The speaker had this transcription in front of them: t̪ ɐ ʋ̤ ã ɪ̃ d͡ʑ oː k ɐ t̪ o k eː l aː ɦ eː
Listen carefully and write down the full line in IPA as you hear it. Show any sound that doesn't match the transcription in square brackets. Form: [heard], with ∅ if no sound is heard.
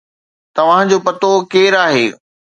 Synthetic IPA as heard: t̪ ɐ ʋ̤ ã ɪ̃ d͡ʑ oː [p] ɐ t̪ o k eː [ɾ] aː ɦ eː